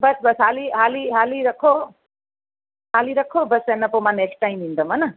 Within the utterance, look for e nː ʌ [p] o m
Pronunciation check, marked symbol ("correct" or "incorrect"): correct